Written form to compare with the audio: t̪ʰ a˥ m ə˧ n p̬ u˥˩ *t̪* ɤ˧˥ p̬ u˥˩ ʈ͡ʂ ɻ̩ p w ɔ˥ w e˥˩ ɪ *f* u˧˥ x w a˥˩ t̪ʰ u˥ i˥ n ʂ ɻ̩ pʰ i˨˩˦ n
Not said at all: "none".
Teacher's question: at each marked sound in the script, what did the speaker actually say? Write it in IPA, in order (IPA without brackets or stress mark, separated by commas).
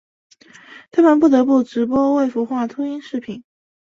t̪, f